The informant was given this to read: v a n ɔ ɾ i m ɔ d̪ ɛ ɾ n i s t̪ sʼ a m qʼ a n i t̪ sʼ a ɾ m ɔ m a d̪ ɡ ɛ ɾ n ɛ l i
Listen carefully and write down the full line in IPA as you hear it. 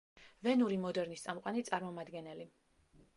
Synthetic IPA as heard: v ɛ n u ɾ i m ɔ d̪ ɛ ɾ n i s t̪ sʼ a m qʼ a n i t̪ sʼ a ɾ m ɔ m a d̪ ɡ ɛ n ɛ l i

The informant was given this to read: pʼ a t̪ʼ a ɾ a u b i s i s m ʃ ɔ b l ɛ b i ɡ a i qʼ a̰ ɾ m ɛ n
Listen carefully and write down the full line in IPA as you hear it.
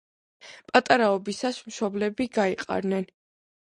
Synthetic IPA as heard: pʼ a t̪ʼ a ɾ a ɔ b i s a s m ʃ ɔ b l ɛ b i ɡ a i qʼ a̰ ɾ n ɛ n

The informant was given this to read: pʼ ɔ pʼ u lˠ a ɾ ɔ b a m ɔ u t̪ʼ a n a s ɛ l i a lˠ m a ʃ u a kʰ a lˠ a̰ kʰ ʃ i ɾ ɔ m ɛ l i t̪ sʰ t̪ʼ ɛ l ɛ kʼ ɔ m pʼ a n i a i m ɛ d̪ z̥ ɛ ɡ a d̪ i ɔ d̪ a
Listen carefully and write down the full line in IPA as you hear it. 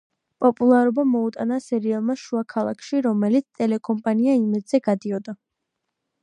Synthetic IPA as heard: pʼ ɔ pʼ u lˠ a ɾ ɔ b a m ɔ u t̪ʼ a n a s ɛ ɾ i a lˠ m a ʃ u a kʰ a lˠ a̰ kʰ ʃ i ɾ ɔ m ɛ l i t̪ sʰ t̪ʼ ɛ l ɛ kʼ ɔ m pʼ a n i a i m ɛ d̪ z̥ ɛ ɡ a d̪ i ɔ d̪ a

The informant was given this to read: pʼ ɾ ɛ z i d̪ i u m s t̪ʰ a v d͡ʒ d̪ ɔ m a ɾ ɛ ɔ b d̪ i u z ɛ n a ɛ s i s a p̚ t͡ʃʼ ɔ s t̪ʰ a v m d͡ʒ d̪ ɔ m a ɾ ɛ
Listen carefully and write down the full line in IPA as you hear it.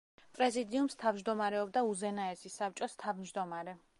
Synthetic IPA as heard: pʼ ɾ ɛ z i d̪ i u m s t̪ʰ a v d͡ʒ d̪ ɔ m a ɾ ɛ ɔ b d̪ a u z ɛ n a ɛ s i s a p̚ t͡ʃʼ ɔ s t̪ʰ a v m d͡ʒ d̪ ɔ m a ɾ ɛ

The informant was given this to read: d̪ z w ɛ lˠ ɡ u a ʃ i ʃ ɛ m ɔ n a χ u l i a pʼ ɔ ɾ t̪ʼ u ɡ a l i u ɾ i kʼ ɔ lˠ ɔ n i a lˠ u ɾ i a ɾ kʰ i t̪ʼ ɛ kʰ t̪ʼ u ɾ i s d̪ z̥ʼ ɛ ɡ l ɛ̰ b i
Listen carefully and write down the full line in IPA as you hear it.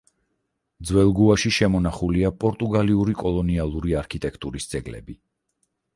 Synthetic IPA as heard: d̪ z w ɛ lˠ ɡ u a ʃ i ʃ ɛ m ɔ n a χ u l i a pʼ ɔ ɾ t̪ʼ u ɡ a l i u ɾ i kʼ ɔ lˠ ɔ n i a lˠ u ɾ i a ɾ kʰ i t̪ʼ ɛ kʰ t̪ʼ u ɾ i s d̪ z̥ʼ ɛ ɡ l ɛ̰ b i

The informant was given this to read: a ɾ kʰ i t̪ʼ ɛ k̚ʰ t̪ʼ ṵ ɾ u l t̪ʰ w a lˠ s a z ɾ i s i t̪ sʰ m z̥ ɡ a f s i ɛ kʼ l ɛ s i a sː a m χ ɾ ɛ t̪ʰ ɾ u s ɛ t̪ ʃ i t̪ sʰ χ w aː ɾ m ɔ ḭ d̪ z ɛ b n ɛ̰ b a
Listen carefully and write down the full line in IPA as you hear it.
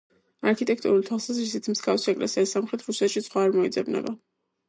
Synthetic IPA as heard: a ɾ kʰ i t̪ʼ ɛ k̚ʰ t̪ʼ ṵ ɾ u l t̪ʰ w a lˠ s a z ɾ i s i t̪ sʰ m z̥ ɡ a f s i ɛ kʼ l ɛ s i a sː a m χ ɾ ɛ t̪ʰ ɾ u s ɛ t̪ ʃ i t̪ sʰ χ w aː ɾ m ɔ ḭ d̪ z ɛ b n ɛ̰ b a

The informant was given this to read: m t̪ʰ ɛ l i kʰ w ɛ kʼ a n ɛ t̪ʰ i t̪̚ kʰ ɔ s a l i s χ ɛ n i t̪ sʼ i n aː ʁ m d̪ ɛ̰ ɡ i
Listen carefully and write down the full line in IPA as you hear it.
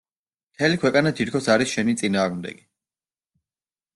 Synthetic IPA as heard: m t̪ʰ ɛ l i kʰ w ɛ kʼ a n a t̪ʰ i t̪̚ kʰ ɔ s a ɾ i s ʃ ɛ n i t̪ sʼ i n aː ʁ m d̪ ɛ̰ ɡ i

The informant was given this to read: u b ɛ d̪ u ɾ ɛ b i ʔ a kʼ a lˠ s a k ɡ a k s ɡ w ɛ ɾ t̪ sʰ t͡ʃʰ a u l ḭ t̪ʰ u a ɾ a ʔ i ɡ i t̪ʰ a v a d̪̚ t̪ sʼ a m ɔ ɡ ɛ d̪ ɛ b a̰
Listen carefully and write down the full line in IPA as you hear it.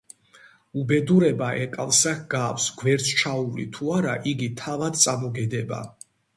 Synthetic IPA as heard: u b ɛ d̪ u ɾ ɛ b a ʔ ɛ kʼ a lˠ s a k ɡ a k s ɡ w ɛ ɾ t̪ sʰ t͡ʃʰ a u l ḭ t̪ʰ u a ɾ a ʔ i ɡ i t̪ʰ a v a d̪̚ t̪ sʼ a m ɔ ɡ ɛ d̪ ɛ b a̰

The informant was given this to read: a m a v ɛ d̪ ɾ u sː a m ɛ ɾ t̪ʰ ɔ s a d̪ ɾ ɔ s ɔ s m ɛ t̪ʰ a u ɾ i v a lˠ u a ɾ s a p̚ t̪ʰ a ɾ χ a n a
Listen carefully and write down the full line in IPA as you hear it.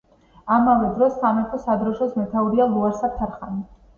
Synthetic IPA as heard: a m a v ɛ d̪ ɾ ɔ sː a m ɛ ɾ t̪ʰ ɔ s a d̪ ɾ ɔ ʃ ɔ s m ɛ t̪ʰ a u ɾ i a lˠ u a ɾ s a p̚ t̪ʰ a ɾ χ a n i

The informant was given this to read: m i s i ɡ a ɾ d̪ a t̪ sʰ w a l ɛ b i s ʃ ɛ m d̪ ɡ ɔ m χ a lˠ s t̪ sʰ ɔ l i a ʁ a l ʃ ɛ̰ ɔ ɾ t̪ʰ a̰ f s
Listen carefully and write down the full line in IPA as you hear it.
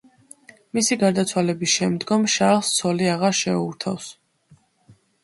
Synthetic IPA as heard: m i s i ɡ a ɾ d̪ a t̪ sʰ w a l ɛ b i s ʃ ɛ m d̪ ɡ ɔ m ʃ a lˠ s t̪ sʰ ɔ l i a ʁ a ɾ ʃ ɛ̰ u ɾ t̪ʰ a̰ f s

